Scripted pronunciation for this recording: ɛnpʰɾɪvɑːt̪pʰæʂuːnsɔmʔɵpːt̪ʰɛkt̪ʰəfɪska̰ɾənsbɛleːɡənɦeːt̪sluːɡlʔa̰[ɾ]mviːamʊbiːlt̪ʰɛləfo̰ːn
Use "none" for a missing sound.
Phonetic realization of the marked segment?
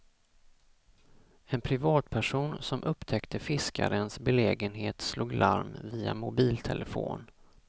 ɾ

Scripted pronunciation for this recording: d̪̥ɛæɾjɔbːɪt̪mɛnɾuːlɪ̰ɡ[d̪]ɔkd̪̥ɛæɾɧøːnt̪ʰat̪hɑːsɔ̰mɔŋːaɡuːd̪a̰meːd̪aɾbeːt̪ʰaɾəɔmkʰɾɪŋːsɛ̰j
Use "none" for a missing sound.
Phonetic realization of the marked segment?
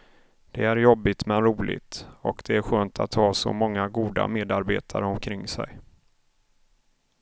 t̪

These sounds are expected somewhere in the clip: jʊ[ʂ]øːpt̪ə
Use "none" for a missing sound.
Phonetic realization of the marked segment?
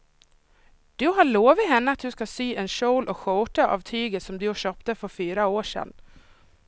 ɕ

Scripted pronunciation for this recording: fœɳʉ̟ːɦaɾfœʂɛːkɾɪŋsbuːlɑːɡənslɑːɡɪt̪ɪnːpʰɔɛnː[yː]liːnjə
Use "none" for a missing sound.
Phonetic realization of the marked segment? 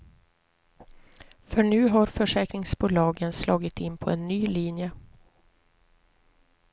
yː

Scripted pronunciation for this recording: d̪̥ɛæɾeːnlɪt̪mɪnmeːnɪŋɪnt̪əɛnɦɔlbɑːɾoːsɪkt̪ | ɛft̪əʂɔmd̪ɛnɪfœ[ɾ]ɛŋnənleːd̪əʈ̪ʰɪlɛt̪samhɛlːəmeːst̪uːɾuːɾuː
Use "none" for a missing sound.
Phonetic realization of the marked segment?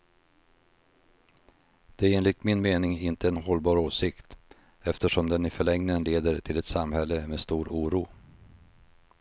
ɭ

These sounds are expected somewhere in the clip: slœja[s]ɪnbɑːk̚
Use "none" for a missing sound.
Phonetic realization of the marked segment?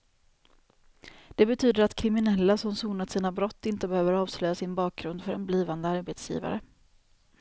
s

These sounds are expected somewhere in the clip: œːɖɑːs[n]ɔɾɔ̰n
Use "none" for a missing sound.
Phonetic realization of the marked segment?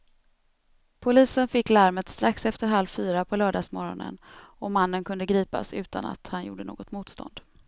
m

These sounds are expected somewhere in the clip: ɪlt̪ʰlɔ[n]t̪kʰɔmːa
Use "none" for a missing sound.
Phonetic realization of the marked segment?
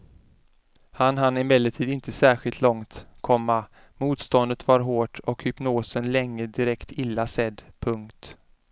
ŋ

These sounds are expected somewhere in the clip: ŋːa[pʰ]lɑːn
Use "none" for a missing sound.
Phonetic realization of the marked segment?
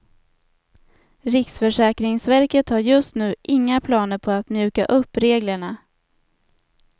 pʰ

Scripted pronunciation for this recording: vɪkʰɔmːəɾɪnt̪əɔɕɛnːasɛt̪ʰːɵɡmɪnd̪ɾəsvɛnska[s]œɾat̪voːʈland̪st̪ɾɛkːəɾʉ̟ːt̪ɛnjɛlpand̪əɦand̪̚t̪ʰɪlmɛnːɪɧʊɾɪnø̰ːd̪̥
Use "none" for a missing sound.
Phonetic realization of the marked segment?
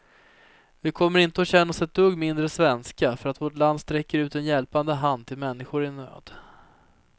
f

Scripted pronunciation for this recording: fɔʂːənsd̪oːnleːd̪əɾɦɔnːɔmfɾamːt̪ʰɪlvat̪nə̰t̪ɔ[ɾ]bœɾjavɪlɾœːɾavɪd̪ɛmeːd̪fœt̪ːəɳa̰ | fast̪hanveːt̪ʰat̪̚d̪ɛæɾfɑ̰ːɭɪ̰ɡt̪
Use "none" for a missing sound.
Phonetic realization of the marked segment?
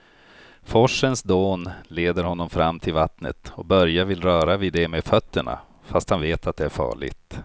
none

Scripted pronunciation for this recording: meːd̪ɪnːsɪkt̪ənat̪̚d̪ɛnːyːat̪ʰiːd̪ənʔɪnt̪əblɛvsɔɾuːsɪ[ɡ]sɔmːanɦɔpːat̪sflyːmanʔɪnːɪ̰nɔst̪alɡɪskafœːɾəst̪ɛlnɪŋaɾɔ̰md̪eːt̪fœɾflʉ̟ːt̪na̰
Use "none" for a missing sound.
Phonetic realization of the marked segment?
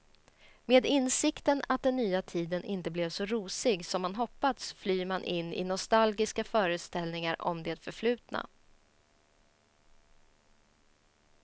ɡ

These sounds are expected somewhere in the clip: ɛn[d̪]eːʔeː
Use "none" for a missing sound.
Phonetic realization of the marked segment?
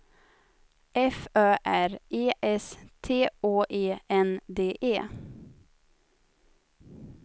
d̪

